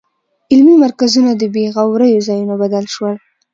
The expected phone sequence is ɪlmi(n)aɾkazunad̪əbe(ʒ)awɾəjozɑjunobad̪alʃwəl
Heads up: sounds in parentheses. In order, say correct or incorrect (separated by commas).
incorrect, incorrect